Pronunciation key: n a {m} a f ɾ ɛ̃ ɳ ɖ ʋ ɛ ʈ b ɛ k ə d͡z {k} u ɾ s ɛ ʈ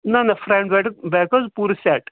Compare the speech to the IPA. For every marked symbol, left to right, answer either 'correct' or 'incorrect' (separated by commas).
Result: incorrect, incorrect